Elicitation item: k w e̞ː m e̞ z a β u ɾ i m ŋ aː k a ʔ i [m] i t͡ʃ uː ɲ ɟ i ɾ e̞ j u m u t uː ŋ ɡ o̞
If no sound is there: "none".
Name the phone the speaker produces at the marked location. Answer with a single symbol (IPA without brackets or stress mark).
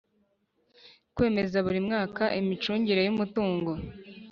m